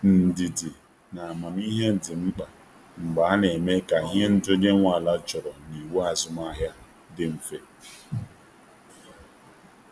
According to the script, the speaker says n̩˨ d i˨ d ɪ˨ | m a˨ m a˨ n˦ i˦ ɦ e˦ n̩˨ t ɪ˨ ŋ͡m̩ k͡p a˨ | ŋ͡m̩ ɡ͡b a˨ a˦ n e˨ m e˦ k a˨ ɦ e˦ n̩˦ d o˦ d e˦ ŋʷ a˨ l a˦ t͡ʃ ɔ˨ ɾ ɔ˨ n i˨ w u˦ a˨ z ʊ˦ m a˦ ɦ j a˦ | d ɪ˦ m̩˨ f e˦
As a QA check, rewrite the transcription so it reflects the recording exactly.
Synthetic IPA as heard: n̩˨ d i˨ d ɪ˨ | n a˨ m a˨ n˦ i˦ ɦ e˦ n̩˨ d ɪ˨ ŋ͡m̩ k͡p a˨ | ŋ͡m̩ ɡ͡b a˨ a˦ n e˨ m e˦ k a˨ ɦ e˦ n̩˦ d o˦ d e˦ ŋʷ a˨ l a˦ t͡ʃ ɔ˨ ɾ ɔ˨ n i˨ w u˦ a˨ z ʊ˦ m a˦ ɦ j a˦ | d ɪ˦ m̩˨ f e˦